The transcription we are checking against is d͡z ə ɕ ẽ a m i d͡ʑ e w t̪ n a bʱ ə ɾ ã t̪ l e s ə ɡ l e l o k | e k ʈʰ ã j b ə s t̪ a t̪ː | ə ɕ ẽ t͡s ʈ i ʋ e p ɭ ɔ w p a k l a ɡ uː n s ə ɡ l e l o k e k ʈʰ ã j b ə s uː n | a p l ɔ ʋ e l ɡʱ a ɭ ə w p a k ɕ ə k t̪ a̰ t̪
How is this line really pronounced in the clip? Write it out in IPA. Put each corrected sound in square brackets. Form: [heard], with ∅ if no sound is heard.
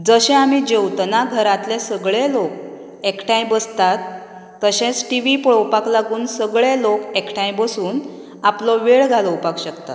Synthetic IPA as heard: d͡z ə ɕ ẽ a m i d͡ʑ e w t̪ n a [ɡʱ] ə ɾ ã t̪ l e s ə ɡ [ɭ] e l o k | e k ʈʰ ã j b ə s t̪ a t̪ː | ə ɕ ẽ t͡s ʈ i ʋ [i] p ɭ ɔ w p a k l a ɡ uː n s ə ɡ [ɭ] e l o k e k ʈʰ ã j b ə s uː n | a p l ɔ ʋ e [ɭ] ɡʱ a [l] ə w p a k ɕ ə k t̪ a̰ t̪

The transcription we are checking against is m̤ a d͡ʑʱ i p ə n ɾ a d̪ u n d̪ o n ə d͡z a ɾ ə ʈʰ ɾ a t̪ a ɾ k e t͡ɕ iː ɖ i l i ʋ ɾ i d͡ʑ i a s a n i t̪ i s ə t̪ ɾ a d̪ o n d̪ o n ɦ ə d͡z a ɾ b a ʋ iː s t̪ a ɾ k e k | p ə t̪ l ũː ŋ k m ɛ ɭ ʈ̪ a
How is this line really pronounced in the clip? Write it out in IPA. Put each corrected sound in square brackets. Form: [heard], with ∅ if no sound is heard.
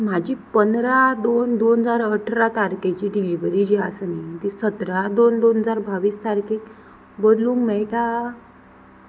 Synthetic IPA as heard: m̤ a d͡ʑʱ i p ə n ɾ a d̪ [o] n d̪ o n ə d͡z a ɾ ə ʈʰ ɾ a t̪ a ɾ k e t͡ɕ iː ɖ i l i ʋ ɾ i d͡ʑ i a s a n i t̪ i s ə t̪ ɾ a d̪ o n d̪ o n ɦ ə d͡z a ɾ b a ʋ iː s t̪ a ɾ k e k | [b] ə [d̪] l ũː ŋ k m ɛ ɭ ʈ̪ a

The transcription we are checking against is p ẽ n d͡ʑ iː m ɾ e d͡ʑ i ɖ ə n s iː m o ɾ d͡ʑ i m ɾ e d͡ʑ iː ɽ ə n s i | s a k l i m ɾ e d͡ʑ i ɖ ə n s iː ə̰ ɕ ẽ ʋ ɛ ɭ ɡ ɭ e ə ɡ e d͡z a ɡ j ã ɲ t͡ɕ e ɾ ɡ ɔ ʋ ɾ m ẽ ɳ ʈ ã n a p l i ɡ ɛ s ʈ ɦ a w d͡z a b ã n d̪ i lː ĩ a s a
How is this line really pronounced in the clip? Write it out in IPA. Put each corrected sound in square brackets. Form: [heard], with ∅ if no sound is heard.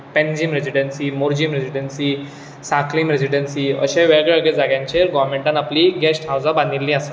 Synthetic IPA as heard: p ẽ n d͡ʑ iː m ɾ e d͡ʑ i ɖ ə n s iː m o ɾ d͡ʑ i m ɾ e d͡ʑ [i] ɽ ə n s i | s a k l i m ɾ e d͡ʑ i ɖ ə n s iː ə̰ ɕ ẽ ʋ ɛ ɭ ɡ ɭ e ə ɡ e d͡z a ɡ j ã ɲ t͡ɕ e ɾ ɡ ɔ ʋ ɾ m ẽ ɳ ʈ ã n a p l i ɡ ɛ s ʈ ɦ a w d͡z a b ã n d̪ i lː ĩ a s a

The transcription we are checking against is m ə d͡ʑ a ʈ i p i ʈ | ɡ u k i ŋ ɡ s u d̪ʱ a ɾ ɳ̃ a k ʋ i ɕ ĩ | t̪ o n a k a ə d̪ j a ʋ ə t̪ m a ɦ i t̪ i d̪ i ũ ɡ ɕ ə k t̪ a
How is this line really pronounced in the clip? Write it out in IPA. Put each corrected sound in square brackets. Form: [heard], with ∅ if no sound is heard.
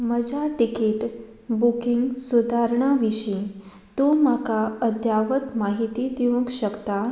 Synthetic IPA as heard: m ə d͡ʑ a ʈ i [k] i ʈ | [b] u k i ŋ ɡ s u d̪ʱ a ɾ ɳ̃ a [∅] ʋ i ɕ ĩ | t̪ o [m] a k a ə d̪ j a ʋ ə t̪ m a ɦ i t̪ i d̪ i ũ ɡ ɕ ə k t̪ a

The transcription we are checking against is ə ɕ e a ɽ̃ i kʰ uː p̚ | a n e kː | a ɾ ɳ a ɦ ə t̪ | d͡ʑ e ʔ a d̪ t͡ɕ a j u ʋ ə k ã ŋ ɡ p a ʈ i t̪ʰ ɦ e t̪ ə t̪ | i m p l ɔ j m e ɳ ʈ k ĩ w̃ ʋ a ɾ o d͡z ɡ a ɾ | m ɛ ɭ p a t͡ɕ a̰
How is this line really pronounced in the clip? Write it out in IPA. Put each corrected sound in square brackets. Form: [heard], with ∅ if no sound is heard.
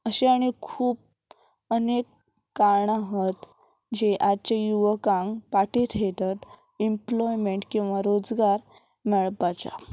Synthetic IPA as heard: ə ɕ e a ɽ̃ i kʰ uː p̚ | [ə] n e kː | a ɾ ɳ a ɦ ə t̪ | d͡ʑ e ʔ a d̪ t͡ɕ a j u ʋ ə k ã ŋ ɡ p a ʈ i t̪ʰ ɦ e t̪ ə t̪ | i m p l ɔ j m e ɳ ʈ k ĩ w̃ ʋ a ɾ o d͡z ɡ a ɾ | m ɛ ɭ p a t͡ɕ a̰

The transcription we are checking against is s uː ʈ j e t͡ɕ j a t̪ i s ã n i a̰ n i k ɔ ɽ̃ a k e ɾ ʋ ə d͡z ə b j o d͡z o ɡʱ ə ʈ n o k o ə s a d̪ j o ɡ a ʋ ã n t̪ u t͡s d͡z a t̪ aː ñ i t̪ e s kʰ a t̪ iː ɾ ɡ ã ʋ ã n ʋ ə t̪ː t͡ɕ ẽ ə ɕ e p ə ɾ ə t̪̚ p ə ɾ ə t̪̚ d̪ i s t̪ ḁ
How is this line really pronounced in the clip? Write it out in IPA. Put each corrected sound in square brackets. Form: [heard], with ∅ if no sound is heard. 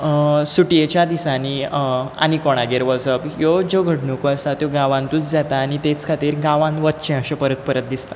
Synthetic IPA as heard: s [u] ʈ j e t͡ɕ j a [d̪] i s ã n i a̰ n i k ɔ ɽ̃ a [ɡ] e ɾ ʋ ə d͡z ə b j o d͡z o ɡʱ ə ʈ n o k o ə s a [t̪] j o ɡ a ʋ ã n t̪ u t͡s d͡z a t̪ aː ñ i t̪ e [t͡s] kʰ a t̪ iː ɾ ɡ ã ʋ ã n ʋ ə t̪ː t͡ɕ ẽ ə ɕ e p ə ɾ ə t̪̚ p ə ɾ ə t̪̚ d̪ i s t̪ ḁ

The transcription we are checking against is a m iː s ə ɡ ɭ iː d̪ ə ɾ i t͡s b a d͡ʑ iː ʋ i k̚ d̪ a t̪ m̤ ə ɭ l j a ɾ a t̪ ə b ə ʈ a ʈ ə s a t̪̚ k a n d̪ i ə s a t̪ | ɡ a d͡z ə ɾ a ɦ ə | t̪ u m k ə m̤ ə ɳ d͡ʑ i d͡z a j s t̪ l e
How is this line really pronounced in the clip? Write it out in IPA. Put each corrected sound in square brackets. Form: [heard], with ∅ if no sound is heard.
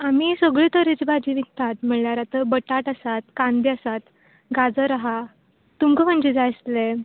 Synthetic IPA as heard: a m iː s ə ɡ ɭ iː [t̪] ə ɾ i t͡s b a d͡ʑ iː ʋ i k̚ [t̪] a t̪ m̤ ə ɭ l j a ɾ a t̪ ə b ə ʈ a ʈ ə s a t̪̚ k a n d̪ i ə s a t̪ | ɡ a d͡z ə ɾ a ɦ [a] | t̪ u m k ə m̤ ə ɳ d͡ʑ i d͡z a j s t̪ l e

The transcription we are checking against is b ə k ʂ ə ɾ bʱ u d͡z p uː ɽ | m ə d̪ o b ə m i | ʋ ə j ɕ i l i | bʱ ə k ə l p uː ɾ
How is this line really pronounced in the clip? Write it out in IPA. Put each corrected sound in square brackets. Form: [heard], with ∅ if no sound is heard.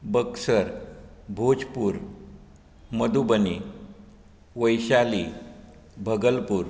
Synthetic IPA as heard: b ə k [s] ə ɾ bʱ [o] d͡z p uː [ɾ] | m ə d̪ [u] b ə [n] i | ʋ ə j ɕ [a] l i | bʱ ə [ɡ] ə l p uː ɾ

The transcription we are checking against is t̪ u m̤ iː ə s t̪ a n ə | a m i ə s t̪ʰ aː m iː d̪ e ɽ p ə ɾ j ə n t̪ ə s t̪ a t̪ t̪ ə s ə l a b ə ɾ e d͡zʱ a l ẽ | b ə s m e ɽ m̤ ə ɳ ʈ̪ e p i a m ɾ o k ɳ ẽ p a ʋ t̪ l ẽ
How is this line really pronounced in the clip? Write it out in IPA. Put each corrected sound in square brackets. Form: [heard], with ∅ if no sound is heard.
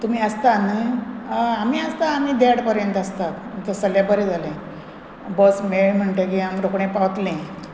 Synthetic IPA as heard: t̪ u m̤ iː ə s t̪ a n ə | a m i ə s [t̪] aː m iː d̪ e ɽ p ə ɾ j ə n t̪ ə s t̪ a t̪ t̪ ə s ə l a b ə ɾ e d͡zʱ a l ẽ | b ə s m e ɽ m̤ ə ɳ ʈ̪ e [k] i a m ɾ o k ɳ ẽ p a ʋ t̪ l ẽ

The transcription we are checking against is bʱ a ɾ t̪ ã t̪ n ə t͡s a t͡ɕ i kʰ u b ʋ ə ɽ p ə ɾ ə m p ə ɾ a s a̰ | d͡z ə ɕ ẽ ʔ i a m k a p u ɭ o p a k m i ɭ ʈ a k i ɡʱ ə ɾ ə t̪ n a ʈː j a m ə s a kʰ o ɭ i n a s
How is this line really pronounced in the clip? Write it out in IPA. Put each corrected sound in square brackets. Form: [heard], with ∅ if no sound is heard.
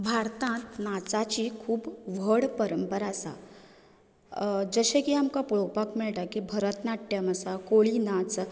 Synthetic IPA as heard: bʱ a ɾ t̪ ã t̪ n [a] t͡s a t͡ɕ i kʰ [uː] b ʋ ə ɽ p ə ɾ ə m p ə ɾ a s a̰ | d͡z ə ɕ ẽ [k] i a m k a p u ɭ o p a k m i ɭ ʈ a k i [bʱ] ə ɾ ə t̪ n a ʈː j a m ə s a [k] o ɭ i n a [t͡s]

